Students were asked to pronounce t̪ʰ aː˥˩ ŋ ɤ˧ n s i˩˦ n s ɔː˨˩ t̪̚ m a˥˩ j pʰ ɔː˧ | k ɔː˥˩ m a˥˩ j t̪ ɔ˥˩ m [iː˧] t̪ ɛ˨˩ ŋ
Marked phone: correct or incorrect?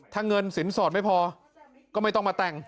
incorrect